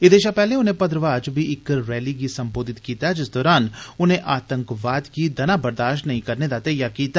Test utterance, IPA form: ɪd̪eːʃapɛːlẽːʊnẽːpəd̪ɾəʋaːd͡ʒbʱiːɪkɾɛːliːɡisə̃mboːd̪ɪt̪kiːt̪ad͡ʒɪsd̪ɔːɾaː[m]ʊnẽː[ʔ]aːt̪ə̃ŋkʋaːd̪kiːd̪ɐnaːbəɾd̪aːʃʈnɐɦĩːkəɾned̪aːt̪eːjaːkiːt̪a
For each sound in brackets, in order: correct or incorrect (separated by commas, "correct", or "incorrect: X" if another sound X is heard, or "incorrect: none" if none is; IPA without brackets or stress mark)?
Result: incorrect: n, correct